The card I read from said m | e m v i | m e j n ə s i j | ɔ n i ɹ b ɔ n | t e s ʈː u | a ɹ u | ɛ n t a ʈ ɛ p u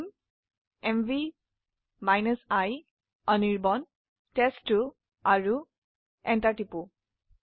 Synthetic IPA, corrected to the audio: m | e m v i | m a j n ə s a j | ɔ n i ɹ b ɔ n | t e s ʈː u | a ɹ u | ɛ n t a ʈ i p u

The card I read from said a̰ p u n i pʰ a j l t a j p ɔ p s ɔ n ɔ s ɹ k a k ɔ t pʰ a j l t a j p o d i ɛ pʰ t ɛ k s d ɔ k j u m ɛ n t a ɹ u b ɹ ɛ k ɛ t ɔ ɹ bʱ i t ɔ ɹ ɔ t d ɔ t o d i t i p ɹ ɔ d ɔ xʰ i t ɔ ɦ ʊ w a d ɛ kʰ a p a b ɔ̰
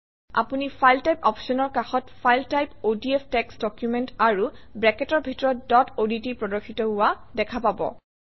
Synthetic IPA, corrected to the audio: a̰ p u n i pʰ a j l t a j p ɔ p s ɔ n ɔ ɹ k a x ɔ t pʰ a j l t a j p o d i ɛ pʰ t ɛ k s d ɔ k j u m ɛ n t a ɹ u b ɹ ɛ k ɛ t ɔ ɹ bʱ i t ɔ ɹ ɔ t d ɔ t o d i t i p ɹ ɔ d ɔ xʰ i t ɔ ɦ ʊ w a d ɛ kʰ a p a b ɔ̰

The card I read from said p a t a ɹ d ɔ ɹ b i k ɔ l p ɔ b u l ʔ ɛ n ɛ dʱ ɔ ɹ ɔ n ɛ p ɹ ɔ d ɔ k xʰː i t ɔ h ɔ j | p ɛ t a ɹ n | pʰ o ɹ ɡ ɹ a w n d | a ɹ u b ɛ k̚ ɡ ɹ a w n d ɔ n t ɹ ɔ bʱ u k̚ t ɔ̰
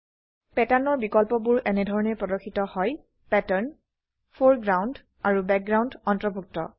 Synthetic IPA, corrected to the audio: p ɛ t a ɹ n ɔ ɹ b i k ɔ l p ɔ b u ɹ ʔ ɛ n ɛ dʱ ɔ ɹ ɔ n ɛ p ɹ ɔ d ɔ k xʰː i t ɔ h ɔ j | p ɛ t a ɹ n | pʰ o ɹ ɡ ɹ a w n d | a ɹ u b ɛ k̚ ɡ ɹ a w n d ɔ n t ɹ ɔ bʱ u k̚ t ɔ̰

